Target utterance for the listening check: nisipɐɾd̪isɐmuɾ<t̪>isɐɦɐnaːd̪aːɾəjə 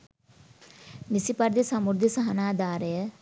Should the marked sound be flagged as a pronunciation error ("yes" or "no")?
yes